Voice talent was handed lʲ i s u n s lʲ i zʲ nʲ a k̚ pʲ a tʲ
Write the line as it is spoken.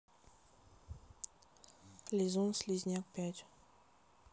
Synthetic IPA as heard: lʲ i z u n s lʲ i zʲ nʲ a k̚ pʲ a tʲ